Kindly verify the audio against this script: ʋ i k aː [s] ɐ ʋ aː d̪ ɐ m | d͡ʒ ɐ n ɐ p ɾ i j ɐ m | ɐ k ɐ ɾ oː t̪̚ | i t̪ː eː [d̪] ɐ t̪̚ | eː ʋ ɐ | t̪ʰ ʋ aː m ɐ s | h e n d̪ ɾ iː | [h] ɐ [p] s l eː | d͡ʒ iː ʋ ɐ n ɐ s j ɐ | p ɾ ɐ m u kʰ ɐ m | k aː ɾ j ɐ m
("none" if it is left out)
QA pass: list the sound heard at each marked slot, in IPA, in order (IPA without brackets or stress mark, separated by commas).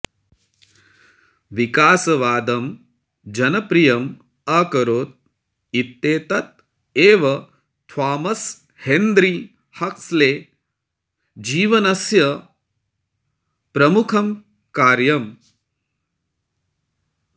s, t̪, h, k